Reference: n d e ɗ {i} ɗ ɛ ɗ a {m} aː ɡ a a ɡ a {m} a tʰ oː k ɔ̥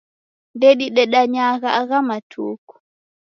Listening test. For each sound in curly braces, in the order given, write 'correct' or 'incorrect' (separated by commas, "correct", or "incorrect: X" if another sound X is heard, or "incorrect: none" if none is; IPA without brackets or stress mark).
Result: correct, incorrect: ɲ, correct